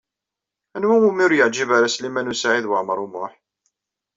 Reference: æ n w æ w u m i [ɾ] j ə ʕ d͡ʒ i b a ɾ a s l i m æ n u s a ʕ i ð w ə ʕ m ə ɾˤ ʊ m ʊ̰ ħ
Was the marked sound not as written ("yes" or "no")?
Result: no